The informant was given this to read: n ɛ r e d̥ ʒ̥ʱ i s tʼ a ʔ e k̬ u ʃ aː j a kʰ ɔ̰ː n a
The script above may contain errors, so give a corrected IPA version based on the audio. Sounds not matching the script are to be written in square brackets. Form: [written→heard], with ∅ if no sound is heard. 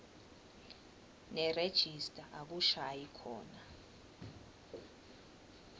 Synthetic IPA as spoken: n ɛ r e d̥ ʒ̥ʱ i s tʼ a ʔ [e→a] k̬ u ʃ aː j [a→i] kʰ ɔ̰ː n a